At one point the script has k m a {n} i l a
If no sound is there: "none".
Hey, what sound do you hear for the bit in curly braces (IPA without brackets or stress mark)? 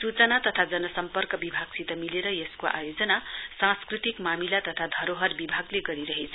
m